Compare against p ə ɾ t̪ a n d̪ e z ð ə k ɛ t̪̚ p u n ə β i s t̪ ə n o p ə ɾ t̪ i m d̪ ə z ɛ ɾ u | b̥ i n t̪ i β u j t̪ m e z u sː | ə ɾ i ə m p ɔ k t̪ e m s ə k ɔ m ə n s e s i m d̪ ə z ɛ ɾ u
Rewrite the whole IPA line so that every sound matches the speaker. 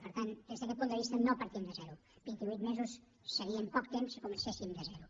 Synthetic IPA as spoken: p ə ɾ t̪ a n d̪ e z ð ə k ɛ t̪̚ p u n ə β i s t̪ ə n o p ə ɾ t̪ i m d̪ ə z ɛ ɾ u | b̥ i n t̪ i β u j t̪ m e z u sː | ə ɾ i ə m p ɔ k t̪ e m s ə k u m ə n s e s i m d̪ ə z ɛ ɾ u